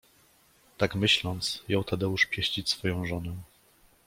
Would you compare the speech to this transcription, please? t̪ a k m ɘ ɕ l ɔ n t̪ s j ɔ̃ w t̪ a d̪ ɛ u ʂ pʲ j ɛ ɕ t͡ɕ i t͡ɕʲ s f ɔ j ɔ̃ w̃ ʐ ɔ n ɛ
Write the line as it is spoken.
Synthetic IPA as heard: t̪ a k m ɘ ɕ l ɔ n t̪ s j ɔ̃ w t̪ a d̪ ɛ u ʂ pʲ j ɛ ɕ t͡ɕ i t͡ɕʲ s f ɔ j ɔ̃ w̃ ʐ ɔ n ɛ